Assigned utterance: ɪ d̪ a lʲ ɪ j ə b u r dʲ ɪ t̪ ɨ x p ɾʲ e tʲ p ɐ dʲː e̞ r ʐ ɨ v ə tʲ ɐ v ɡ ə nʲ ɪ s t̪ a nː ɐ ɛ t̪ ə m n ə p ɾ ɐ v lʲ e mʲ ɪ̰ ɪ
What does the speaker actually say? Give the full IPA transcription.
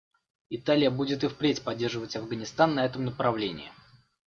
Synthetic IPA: ɪ t̪ a lʲ ɪ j ə b u dʲ ɪ t̪ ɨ f p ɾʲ e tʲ p ɐ dʲː e̞ r ʐ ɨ v ə tʲ ɐ v ɡ ə nʲ ɪ s t̪ a nː ɐ ɛ t̪ ə m n ə p ɾ ɐ v lʲ e nʲ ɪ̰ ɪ